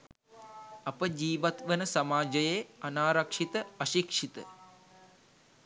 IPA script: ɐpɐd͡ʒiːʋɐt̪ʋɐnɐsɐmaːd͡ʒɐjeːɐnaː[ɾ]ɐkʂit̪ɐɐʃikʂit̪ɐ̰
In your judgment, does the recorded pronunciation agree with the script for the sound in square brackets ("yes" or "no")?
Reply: yes